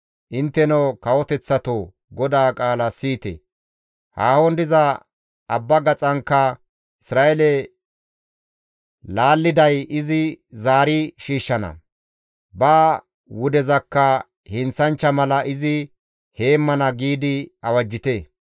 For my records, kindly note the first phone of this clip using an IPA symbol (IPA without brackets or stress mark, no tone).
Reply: ʔ